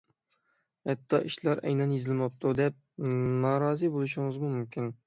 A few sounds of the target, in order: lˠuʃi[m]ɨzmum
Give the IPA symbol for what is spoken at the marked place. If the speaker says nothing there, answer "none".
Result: ŋ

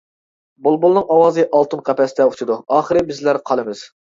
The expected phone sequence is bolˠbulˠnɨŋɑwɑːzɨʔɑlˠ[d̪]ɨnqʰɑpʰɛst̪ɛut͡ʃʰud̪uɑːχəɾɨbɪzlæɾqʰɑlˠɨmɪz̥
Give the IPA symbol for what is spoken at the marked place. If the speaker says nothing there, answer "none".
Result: t̪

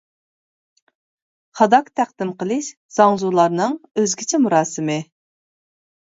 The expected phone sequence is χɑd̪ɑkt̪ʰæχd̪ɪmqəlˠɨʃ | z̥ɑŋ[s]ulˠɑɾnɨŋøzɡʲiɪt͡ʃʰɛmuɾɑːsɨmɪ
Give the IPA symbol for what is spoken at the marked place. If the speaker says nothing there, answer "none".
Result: z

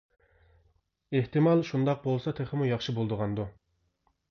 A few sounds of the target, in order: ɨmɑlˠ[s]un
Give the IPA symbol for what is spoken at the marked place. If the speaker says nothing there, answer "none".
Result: ʃ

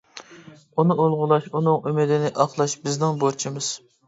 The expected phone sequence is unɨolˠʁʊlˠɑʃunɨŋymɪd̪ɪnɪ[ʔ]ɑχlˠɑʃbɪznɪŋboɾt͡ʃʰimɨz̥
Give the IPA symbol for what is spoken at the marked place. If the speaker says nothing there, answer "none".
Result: ʔ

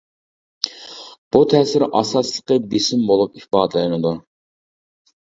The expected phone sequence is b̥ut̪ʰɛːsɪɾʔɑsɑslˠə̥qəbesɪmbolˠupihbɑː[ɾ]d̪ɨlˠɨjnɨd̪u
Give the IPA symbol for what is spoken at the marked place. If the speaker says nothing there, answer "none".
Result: none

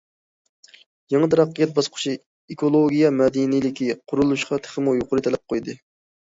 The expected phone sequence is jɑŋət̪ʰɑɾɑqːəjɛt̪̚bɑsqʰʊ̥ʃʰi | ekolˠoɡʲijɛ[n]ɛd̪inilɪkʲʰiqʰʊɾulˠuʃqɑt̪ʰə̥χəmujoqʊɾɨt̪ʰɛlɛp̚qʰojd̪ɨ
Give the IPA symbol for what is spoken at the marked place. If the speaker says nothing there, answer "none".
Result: m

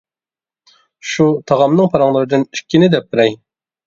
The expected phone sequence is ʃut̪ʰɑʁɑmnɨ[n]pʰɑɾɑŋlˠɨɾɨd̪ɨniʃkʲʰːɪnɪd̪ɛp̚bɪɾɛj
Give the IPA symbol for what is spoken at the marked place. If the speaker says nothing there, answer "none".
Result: ŋ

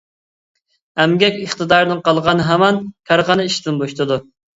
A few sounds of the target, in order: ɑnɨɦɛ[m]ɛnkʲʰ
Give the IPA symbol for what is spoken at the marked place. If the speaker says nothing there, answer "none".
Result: m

